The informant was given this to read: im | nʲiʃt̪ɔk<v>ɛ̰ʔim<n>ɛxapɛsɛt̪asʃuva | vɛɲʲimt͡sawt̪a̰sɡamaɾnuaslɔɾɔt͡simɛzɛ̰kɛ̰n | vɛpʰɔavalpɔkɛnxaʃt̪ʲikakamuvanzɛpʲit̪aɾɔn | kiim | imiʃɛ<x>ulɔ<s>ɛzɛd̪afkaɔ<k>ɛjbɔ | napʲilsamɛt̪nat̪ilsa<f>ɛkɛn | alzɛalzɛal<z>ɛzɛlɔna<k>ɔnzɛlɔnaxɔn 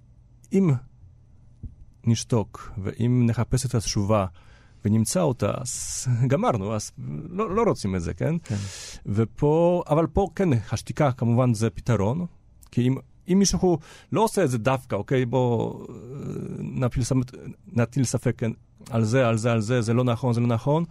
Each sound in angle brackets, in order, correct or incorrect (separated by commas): correct, correct, correct, correct, correct, correct, correct, incorrect